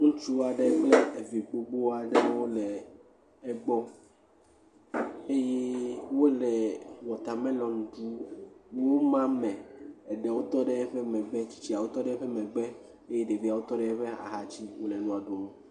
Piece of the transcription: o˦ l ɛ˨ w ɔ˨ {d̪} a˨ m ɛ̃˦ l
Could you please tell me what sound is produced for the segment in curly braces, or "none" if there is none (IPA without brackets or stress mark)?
t̪